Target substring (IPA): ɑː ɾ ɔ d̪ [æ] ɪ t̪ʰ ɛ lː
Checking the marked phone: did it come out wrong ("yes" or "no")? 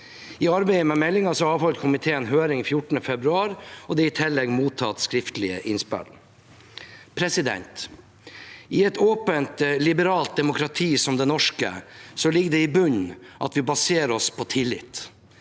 yes